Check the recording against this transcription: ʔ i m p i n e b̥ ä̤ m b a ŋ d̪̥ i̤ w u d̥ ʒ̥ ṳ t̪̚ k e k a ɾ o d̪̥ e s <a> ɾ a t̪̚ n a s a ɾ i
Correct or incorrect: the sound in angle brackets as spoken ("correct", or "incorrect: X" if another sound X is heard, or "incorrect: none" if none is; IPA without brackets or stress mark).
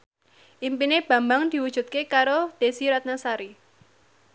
incorrect: i